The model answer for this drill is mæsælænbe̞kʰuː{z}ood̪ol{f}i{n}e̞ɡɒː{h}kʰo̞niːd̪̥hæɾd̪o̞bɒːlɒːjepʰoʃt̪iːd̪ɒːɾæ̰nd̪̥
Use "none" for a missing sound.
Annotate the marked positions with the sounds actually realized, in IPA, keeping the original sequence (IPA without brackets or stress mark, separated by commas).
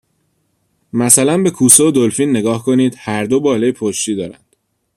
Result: s, f, nː, h